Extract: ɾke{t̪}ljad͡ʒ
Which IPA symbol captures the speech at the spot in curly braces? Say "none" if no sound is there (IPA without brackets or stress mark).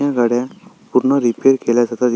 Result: none